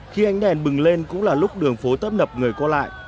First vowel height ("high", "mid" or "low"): high